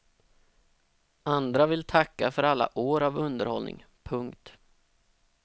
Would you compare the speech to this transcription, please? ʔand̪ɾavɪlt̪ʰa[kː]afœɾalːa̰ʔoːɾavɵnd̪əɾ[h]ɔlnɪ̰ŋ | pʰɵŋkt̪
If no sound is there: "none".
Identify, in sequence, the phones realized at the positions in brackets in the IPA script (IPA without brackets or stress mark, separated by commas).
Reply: kː, h